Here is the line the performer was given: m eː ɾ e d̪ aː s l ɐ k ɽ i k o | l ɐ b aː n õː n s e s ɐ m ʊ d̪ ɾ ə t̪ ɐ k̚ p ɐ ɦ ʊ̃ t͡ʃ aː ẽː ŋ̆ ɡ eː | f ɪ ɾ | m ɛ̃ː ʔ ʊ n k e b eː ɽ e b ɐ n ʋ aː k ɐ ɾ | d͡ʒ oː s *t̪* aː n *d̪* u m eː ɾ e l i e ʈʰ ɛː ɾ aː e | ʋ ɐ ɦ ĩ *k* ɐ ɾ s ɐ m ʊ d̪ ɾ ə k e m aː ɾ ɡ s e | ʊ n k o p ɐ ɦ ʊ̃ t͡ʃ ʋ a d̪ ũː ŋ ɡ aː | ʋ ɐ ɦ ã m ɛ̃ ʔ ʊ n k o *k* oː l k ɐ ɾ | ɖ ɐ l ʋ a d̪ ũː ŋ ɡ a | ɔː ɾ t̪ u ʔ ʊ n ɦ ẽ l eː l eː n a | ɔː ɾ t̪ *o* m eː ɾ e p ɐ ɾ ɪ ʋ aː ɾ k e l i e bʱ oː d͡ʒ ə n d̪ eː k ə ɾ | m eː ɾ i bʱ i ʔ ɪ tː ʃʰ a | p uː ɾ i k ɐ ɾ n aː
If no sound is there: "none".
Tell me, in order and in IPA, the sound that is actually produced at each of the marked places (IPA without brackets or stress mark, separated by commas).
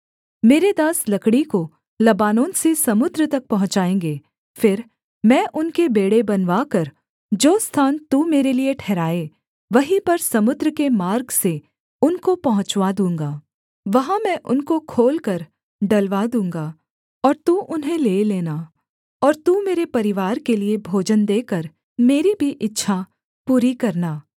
t̪ʰ, t̪, p, kʰ, u